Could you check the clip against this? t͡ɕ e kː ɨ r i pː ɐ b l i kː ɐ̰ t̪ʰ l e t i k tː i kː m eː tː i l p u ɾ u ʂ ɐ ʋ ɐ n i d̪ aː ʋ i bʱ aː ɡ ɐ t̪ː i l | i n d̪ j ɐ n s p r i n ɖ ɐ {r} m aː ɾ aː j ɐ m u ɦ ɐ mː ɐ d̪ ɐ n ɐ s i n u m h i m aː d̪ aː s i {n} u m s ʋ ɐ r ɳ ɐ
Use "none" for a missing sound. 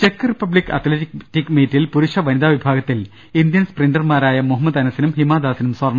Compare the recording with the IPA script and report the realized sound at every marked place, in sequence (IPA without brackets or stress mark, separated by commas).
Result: r, n